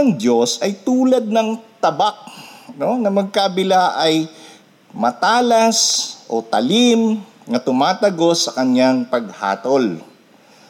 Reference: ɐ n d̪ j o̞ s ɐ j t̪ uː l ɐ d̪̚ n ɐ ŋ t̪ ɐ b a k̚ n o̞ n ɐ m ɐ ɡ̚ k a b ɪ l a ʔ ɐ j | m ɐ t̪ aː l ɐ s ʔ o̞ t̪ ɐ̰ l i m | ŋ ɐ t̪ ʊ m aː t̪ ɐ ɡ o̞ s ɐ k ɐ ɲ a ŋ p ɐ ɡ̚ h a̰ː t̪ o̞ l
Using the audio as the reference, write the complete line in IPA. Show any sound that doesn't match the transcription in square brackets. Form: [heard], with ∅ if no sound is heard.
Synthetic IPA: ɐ [ŋ] d̪ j o̞ s ɐ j t̪ uː l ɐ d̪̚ n ɐ ŋ t̪ ɐ b a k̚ n o̞ n ɐ m ɐ ɡ̚ k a b ɪ l a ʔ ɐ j | m ɐ t̪ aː l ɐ s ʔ o̞ t̪ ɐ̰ l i m | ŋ ɐ t̪ ʊ m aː t̪ ɐ ɡ o̞ s ɐ k ɐ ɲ a ŋ p ɐ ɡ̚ h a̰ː t̪ o̞ l